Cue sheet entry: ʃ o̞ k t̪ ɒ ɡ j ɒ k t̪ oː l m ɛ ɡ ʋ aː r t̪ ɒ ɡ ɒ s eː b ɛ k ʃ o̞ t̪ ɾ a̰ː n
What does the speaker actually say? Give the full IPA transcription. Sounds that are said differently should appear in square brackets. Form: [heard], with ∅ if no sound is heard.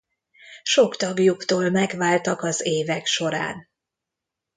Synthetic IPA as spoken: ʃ o̞ k t̪ ɒ ɡ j [u] k t̪ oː l m ɛ ɡ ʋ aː [l] t̪ ɒ [k] ɒ [z] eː [v] ɛ k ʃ o̞ [∅] ɾ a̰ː n